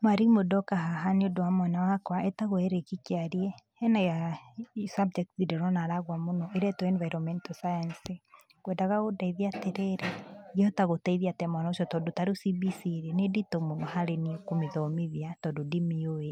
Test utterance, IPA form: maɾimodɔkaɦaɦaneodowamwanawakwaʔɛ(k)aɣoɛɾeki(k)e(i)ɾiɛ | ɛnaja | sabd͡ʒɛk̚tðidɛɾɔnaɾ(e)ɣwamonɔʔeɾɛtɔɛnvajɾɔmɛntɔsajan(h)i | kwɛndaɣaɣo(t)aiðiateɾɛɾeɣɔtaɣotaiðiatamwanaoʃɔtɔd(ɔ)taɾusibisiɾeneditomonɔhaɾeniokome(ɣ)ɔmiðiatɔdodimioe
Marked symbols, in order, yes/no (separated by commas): no, yes, no, no, no, no, no, no